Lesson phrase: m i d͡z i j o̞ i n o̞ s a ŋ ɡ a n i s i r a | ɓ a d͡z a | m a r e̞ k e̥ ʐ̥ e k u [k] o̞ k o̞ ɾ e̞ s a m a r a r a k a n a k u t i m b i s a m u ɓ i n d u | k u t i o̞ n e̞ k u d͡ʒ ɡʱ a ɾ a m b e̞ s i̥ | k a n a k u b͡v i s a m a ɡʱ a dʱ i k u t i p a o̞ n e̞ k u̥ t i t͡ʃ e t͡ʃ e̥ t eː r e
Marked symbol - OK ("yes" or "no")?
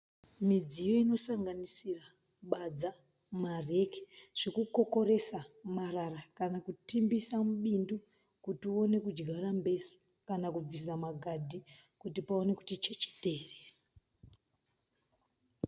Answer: yes